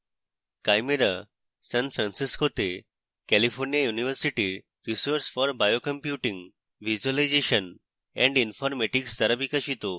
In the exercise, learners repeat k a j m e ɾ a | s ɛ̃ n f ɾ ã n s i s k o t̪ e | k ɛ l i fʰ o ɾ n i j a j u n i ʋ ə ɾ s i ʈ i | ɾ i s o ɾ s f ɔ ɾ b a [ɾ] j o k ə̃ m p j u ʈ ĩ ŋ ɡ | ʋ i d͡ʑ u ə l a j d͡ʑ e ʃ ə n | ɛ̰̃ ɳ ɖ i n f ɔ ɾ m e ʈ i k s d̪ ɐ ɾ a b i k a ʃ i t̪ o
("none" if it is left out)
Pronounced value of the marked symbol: none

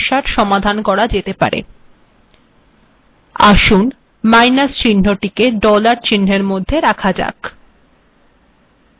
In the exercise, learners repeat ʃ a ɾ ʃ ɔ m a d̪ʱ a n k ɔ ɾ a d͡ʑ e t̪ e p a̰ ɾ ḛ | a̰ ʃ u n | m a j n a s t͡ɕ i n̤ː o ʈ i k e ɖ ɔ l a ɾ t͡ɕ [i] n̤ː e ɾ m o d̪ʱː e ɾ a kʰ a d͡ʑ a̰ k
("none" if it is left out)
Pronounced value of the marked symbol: i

